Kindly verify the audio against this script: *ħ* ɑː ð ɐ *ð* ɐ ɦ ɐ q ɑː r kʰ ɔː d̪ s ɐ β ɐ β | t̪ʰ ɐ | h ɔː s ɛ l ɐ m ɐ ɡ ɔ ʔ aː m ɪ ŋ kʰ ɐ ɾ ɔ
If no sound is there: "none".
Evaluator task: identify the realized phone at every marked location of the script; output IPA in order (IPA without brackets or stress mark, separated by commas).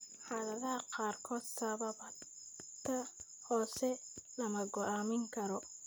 ħ, ð